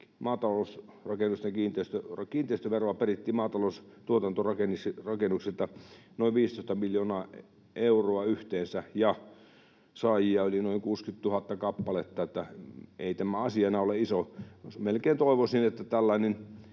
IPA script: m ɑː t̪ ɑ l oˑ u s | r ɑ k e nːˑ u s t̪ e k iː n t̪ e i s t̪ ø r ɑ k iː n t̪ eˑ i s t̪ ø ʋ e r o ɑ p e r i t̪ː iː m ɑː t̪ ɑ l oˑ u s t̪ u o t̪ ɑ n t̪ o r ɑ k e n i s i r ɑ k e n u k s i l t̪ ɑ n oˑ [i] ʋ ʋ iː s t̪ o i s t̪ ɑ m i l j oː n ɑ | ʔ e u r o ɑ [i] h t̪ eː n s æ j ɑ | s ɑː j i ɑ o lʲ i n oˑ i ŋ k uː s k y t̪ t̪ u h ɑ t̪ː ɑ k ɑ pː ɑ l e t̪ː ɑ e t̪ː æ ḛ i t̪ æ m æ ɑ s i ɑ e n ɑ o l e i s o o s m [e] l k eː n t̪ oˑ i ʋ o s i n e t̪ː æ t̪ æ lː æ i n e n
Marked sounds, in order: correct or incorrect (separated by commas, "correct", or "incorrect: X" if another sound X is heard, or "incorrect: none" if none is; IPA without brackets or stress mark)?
correct, incorrect: y, correct